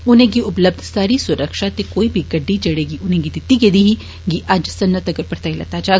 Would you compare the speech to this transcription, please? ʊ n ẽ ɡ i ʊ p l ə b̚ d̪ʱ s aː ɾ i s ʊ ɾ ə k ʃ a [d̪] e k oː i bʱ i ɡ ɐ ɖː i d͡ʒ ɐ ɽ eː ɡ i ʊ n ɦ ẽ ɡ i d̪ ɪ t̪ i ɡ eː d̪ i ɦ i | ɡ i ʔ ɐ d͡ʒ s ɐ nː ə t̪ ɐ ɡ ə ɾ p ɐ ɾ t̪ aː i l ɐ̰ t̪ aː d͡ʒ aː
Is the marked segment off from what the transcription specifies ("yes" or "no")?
yes